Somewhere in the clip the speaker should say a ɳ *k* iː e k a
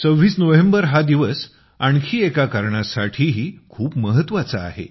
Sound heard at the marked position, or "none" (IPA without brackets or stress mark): kʰ